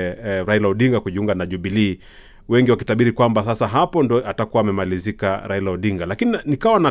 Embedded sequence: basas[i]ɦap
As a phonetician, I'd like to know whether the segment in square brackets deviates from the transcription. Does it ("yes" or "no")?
yes